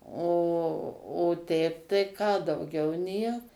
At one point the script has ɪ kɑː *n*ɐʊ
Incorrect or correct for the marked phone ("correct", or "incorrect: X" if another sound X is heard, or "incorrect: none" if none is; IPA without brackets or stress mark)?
incorrect: d